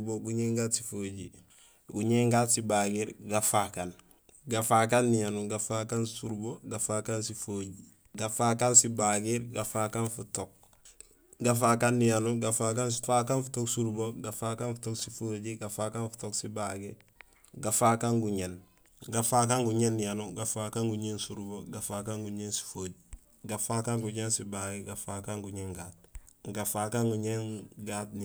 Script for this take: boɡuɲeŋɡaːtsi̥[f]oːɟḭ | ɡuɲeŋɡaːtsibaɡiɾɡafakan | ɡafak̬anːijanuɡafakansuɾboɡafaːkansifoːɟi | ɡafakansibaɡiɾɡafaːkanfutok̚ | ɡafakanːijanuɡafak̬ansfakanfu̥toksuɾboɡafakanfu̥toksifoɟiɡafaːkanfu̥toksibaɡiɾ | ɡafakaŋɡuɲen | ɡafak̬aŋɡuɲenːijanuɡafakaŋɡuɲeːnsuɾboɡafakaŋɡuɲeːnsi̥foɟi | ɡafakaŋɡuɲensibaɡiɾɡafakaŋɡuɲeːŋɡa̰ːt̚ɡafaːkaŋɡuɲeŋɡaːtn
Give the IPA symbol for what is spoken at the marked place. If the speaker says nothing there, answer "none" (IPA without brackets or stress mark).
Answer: f